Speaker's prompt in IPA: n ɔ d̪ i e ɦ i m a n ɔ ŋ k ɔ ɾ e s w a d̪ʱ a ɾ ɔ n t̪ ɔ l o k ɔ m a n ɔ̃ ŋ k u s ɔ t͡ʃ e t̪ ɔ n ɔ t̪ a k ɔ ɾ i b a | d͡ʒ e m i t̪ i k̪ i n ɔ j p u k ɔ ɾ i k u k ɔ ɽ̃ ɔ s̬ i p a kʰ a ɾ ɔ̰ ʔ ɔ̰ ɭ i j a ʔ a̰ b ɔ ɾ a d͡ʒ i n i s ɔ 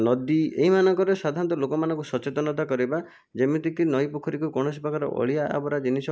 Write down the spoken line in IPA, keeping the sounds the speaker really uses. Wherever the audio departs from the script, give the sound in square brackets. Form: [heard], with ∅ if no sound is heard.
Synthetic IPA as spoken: n ɔ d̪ i e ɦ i m a n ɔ ŋ k ɔ ɾ e s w a d̪ʱ a ɾ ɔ n t̪ ɔ l o k ɔ m a n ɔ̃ ŋ k u s ɔ t͡ʃ e t̪ ɔ n ɔ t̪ a k ɔ ɾ i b a | d͡ʒ e m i t̪ i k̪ i n ɔ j p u [kʰ] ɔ ɾ i k u k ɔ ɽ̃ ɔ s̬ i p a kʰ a ɾ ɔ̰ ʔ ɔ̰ ɭ i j a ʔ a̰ b ɔ ɾ a d͡ʒ i n i s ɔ